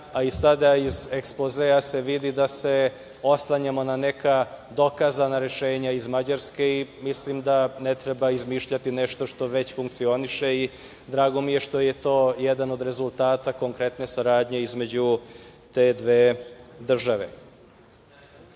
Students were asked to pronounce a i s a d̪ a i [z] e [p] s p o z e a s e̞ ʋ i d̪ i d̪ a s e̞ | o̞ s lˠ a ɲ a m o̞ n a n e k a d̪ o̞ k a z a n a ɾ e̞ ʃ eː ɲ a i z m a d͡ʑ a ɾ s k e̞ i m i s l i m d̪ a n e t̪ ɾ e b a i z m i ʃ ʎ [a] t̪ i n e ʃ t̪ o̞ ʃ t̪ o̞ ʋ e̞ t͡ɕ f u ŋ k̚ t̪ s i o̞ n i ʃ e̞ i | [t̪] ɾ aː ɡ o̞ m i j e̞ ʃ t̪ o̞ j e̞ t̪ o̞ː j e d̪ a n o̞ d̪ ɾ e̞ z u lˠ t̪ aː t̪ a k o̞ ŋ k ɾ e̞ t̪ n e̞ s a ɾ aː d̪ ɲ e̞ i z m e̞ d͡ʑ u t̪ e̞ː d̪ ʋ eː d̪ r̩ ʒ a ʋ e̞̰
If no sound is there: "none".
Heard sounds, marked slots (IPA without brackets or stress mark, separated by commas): z, k, a, d̪